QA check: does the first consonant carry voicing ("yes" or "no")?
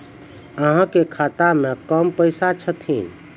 yes